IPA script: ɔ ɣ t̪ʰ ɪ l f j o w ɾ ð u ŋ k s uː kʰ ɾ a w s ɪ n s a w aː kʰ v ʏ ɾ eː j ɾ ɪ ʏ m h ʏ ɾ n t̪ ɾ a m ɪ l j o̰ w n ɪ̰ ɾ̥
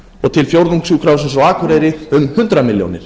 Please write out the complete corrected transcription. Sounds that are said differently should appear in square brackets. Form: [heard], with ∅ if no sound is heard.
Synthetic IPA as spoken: ɔ ɣ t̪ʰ ɪ l f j o w ɾ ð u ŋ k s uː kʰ ɾ a w s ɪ n s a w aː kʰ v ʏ ɾ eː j ɾ ɪ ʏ m h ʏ [∅] n t̪ ɾ a m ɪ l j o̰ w n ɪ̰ ɾ̥